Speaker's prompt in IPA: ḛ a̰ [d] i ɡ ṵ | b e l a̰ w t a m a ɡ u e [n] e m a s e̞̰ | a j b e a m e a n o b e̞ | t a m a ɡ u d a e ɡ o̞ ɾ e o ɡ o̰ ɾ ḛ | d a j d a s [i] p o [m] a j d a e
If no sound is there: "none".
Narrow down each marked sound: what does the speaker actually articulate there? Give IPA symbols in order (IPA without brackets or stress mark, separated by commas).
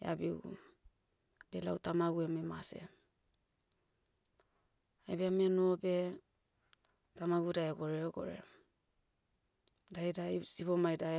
b, m, i, m